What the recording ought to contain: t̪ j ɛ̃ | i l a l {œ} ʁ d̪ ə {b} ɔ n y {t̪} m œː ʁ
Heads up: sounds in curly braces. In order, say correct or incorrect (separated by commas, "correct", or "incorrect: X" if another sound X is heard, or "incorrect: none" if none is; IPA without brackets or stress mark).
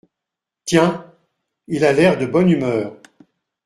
incorrect: ɛ, correct, incorrect: none